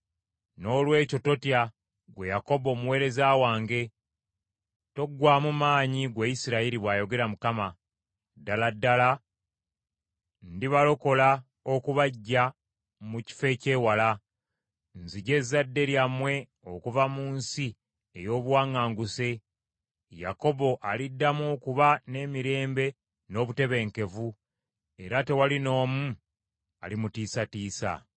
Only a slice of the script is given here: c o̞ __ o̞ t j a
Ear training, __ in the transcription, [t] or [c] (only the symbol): t